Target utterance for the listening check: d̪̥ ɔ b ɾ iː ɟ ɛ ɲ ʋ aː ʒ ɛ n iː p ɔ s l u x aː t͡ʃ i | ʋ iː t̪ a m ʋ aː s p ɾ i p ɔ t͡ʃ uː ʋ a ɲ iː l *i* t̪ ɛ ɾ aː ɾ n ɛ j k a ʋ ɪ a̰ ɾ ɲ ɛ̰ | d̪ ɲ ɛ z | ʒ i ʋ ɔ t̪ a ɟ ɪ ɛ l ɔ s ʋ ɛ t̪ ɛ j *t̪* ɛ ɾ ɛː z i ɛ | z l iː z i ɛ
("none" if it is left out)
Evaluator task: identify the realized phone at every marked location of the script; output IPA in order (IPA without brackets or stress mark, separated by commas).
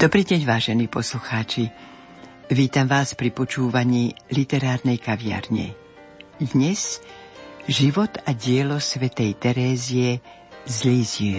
i, t̪